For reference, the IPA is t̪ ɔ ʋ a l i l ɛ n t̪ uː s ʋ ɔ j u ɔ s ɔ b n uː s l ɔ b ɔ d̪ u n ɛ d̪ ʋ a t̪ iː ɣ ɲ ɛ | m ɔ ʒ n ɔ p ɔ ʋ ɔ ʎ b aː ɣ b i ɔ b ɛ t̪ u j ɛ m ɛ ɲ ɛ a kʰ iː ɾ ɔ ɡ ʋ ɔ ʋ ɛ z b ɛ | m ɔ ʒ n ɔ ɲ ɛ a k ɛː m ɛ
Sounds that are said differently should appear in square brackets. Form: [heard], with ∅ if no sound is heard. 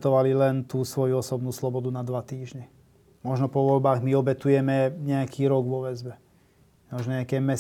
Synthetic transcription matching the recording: t̪ ɔ ʋ a l i l ɛ n t̪ uː s ʋ ɔ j u ɔ s ɔ b n uː s l ɔ b ɔ d̪ u n [a] d̪ ʋ a t̪ iː [ʒ] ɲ ɛ | m ɔ ʒ n ɔ p ɔ ʋ ɔ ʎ b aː ɣ [m] i ɔ b ɛ t̪ u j ɛ m ɛ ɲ ɛ a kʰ iː ɾ ɔ ɡ ʋ ɔ ʋ ɛ z b ɛ | m ɔ ʒ n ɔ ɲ ɛ a k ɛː m ɛ